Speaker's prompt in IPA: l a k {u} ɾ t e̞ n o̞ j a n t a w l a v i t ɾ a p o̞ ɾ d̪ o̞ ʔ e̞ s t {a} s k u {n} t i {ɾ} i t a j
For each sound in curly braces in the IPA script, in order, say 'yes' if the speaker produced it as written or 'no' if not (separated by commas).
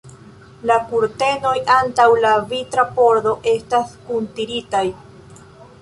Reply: yes, yes, yes, yes